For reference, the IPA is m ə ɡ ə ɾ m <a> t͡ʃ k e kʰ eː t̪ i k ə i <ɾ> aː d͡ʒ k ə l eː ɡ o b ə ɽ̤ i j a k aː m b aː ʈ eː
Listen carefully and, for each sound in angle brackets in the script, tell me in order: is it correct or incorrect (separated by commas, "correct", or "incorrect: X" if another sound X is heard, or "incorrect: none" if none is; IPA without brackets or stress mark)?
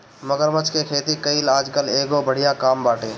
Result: incorrect: ə, incorrect: l